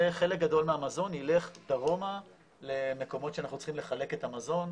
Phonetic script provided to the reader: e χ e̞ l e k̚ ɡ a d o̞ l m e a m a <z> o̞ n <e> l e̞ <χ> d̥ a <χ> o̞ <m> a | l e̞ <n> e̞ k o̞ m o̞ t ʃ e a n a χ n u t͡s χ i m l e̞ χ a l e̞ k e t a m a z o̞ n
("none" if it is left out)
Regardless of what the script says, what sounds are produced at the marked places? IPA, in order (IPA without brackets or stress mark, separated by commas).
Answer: z, i, χ, ʁ, m, m